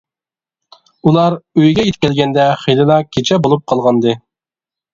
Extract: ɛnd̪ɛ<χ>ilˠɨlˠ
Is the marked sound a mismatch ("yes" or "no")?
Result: no